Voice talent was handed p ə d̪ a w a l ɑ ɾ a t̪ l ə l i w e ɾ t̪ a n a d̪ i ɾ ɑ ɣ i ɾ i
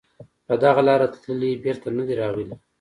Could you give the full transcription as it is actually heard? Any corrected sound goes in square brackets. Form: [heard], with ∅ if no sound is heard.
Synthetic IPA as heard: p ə d̪ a [ɣ] a l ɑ ɾ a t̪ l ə l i [b] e ɾ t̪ a n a d̪ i ɾ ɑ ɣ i [l] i